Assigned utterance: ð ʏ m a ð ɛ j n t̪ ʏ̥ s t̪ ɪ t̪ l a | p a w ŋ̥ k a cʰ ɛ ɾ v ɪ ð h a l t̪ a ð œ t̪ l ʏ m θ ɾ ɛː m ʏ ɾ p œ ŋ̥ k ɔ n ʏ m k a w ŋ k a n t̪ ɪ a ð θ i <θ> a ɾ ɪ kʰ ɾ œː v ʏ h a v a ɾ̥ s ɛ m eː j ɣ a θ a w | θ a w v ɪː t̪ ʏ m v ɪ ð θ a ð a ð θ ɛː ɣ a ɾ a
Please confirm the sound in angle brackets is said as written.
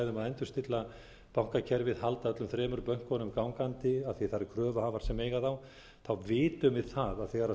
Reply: yes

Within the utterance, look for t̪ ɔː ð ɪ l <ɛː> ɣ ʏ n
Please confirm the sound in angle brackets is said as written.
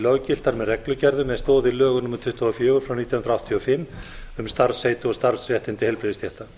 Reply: no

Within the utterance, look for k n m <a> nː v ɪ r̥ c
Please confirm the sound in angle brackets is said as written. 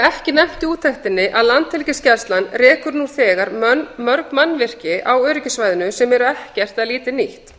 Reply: yes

